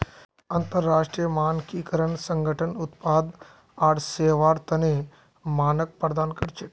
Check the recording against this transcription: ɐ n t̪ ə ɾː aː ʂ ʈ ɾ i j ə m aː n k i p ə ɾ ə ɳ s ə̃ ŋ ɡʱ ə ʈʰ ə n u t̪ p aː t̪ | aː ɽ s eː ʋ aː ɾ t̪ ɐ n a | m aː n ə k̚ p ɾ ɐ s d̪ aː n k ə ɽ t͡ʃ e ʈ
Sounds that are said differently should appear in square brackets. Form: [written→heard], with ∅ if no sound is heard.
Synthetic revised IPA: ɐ n t̪ ə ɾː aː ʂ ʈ ɾ i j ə m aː n k i [p→k] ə ɾ ə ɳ s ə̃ ŋ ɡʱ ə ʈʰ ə n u t̪ p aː [t̪→d̪] | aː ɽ s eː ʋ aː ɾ t̪ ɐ n [a→e] | m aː n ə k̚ p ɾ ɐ [s→∅] d̪ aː n k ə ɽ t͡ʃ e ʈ